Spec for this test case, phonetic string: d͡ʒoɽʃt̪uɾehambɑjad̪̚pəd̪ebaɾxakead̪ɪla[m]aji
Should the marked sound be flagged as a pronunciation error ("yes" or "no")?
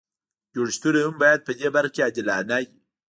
yes